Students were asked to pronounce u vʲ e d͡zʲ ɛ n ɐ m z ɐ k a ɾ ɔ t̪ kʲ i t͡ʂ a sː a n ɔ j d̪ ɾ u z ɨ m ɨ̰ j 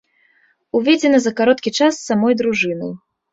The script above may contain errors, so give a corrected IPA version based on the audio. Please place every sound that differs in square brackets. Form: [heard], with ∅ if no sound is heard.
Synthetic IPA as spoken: u vʲ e d͡zʲ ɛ n ɐ [∅] z ɐ k a ɾ ɔ t̪ kʲ i t͡ʂ a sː a [m] ɔ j d̪ ɾ u [ʐ] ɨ [n] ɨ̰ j